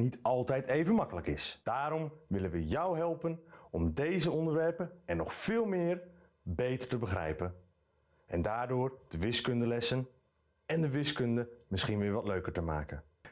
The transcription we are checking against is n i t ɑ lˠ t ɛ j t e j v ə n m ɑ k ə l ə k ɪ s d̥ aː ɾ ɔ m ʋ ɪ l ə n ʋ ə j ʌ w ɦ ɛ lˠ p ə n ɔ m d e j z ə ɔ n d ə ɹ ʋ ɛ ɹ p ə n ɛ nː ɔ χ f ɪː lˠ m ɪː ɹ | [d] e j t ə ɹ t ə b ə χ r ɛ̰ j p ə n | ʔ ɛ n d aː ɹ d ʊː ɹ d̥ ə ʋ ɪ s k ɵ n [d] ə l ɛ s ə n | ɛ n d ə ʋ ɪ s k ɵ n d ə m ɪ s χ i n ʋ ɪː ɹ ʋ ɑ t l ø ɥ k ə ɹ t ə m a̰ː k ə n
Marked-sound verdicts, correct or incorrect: incorrect: b, correct

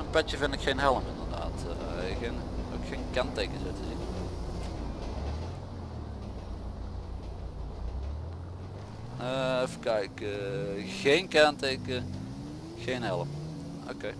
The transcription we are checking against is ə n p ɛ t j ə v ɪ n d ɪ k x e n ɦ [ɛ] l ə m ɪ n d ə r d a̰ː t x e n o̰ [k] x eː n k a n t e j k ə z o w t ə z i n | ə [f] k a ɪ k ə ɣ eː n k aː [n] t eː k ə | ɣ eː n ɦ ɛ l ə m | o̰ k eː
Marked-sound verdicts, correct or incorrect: correct, correct, correct, correct

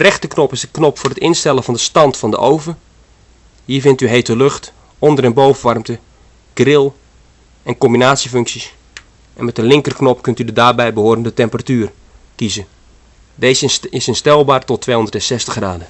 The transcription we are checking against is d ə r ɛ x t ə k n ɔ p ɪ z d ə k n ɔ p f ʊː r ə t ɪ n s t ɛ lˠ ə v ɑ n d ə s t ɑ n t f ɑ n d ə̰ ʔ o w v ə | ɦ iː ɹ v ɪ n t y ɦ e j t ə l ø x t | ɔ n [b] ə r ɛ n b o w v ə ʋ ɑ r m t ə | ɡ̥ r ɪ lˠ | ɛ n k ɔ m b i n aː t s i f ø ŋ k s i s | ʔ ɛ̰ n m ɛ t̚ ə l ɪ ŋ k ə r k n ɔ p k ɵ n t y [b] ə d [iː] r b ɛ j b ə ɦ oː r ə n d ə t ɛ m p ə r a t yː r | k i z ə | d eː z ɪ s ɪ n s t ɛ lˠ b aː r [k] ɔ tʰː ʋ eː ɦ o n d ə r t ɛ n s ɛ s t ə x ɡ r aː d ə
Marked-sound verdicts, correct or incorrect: incorrect: d, incorrect: d, incorrect: aː, incorrect: t

